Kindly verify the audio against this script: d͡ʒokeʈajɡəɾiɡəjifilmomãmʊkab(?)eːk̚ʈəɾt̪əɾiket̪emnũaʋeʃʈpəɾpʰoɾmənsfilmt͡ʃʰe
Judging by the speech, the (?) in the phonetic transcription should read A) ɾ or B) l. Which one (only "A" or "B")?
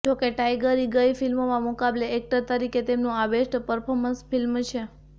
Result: B